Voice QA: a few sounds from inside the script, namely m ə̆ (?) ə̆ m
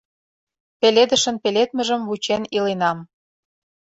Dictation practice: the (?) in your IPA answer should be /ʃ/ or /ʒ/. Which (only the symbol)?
ʒ